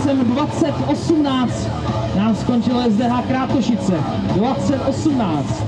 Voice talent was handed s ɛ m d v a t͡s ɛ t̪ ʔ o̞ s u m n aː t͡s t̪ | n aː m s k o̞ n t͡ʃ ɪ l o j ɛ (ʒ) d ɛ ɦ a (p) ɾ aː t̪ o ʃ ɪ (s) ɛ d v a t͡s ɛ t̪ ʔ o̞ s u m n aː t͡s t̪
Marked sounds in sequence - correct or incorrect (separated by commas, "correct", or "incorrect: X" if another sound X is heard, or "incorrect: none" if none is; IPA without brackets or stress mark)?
incorrect: z, incorrect: k, incorrect: t͡s